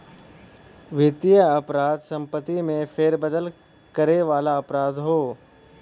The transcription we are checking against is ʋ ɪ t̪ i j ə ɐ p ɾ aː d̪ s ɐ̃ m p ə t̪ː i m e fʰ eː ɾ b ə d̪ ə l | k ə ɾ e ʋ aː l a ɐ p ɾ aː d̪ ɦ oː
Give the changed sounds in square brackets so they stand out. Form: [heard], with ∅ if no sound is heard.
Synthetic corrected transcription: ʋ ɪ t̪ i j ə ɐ p ɾ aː d̪ s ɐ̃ m p ə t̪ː i m [ẽ] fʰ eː ɾ b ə d̪ ə l | k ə ɾ e ʋ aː l a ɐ p ɾ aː d̪ ɦ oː

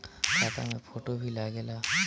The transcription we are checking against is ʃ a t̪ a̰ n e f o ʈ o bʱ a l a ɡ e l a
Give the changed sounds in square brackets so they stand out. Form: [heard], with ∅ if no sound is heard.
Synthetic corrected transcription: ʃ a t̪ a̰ [m] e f o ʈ o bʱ [i] l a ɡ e l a

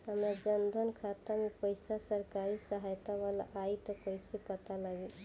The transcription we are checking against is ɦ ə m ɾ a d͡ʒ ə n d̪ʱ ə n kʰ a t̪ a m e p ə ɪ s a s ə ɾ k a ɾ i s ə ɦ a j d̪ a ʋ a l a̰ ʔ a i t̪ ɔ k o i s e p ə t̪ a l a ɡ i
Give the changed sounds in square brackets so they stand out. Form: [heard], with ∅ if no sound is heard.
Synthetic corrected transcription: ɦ ə m ɾ a d͡ʒ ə n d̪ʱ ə n kʰ a t̪ a m e p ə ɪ s a s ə ɾ k a ɾ i s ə ɦ a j [t̪] a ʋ a l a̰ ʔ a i t̪ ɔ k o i s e p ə t̪ a l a ɡ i

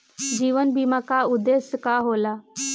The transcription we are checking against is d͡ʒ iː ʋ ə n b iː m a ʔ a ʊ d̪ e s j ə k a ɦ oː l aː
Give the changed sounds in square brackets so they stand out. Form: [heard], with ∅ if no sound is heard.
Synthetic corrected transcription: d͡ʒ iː ʋ ə n b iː m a [k] a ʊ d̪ e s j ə k a ɦ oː l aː

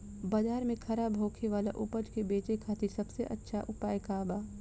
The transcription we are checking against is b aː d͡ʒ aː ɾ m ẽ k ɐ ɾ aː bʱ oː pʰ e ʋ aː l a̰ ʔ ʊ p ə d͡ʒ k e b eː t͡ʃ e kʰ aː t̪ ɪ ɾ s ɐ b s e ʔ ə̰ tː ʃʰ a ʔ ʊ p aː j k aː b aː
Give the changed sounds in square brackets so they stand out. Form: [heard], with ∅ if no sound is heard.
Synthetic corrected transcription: b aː d͡ʒ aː ɾ m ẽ [kʰ] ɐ ɾ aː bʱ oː [kʰ] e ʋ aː l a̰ ʔ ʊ p ə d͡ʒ k e b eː t͡ʃ e kʰ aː t̪ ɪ ɾ s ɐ b s e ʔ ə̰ tː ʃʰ a ʔ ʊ p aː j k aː b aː

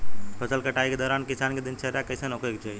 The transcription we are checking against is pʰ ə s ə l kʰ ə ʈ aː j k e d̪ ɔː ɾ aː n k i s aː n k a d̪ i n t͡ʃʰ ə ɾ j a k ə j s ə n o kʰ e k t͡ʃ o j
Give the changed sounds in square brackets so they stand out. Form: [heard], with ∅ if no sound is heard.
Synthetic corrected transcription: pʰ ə s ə l [k] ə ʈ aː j k e d̪ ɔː ɾ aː n k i s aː n k [e] d̪ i n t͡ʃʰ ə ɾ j a k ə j s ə n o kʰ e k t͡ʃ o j

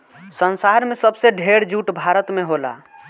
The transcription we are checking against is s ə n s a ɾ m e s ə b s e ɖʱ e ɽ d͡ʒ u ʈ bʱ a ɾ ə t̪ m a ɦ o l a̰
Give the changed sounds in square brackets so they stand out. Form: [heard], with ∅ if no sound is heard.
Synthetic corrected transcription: s ə n s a ɾ m e s ə b s e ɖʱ e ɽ d͡ʒ u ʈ bʱ a ɾ ə t̪ m [e] ɦ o l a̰

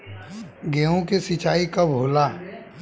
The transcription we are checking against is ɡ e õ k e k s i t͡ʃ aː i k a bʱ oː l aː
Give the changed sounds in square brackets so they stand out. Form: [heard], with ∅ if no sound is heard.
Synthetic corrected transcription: ɡ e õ k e [∅] s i t͡ʃ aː i k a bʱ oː l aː

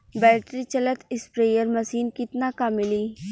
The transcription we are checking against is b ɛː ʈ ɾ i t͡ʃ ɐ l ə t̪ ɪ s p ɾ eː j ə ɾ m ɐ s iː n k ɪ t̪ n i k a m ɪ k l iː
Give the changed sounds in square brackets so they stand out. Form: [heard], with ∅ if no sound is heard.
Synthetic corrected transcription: b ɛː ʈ ɾ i t͡ʃ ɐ l ə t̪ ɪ s p ɾ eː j ə ɾ m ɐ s iː n k ɪ t̪ n [a] k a m ɪ [∅] l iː

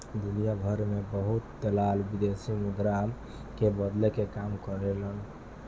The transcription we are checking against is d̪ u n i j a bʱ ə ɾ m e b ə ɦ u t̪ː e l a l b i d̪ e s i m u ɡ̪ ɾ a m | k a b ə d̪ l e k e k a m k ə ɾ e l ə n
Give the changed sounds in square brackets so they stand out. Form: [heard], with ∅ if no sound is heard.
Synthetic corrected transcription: d̪ u n i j a bʱ ə ɾ m e b ə ɦ u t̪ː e l a l b i d̪ e s i m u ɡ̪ ɾ a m | k [e] b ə d̪ l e k e k a m k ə ɾ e l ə n

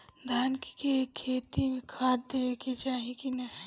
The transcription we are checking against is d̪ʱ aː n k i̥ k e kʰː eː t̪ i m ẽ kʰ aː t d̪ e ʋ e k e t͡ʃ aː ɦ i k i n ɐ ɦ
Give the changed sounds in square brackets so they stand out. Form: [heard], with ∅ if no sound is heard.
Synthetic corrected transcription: d̪ʱ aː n k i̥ k e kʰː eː t̪ i m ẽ kʰ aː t d̪ e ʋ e k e t͡ʃ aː ɦ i k i n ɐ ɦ

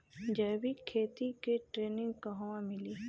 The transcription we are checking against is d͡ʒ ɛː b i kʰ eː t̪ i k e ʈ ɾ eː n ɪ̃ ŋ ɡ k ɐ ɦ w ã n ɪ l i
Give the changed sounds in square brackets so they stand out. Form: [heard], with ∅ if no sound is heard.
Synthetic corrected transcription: d͡ʒ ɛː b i kʰ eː t̪ i k e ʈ ɾ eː n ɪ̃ ŋ ɡ k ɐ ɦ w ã [m] ɪ l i

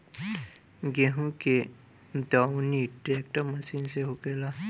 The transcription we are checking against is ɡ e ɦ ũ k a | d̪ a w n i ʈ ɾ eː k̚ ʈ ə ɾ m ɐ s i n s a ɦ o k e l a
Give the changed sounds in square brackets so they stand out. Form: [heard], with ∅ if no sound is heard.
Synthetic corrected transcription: ɡ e ɦ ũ k [e] | d̪ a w n i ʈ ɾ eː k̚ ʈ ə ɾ m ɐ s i n s [e] ɦ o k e l a

